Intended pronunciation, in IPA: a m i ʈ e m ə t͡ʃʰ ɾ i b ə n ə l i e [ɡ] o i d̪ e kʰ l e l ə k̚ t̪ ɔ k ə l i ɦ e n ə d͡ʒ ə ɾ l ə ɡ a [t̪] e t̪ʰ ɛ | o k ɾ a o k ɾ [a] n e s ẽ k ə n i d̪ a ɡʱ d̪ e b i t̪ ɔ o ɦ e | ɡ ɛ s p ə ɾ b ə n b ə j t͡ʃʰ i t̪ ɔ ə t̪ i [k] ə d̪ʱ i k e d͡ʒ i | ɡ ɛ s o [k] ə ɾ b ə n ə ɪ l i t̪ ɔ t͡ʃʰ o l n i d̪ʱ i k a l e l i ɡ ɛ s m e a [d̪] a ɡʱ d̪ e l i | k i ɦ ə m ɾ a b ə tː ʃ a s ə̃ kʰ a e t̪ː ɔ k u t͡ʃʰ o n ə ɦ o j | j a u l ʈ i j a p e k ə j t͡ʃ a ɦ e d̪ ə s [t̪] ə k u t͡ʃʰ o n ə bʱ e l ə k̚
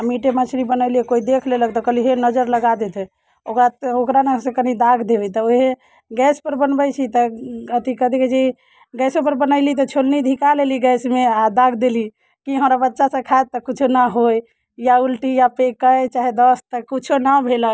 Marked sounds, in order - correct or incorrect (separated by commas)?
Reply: incorrect, incorrect, correct, correct, incorrect, correct, correct